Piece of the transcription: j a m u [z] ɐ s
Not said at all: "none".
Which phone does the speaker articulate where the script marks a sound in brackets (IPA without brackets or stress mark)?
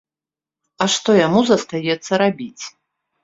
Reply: z